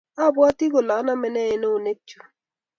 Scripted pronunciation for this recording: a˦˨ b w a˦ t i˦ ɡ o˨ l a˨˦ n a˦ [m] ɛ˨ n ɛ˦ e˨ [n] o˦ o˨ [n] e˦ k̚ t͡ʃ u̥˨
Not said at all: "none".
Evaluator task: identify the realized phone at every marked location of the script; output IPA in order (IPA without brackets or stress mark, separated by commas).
m, n, n